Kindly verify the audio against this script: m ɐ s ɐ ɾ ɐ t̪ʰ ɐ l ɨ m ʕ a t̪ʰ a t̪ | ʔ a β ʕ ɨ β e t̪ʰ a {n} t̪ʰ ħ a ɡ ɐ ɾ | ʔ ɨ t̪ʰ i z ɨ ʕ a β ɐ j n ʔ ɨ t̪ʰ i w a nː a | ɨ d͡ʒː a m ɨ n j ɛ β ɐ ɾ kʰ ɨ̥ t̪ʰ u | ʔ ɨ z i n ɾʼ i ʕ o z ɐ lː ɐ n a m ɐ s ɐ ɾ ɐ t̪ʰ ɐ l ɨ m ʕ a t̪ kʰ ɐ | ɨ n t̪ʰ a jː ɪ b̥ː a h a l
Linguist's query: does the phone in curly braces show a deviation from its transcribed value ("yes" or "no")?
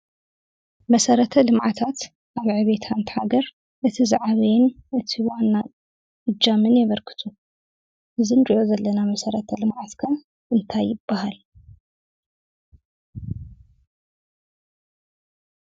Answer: no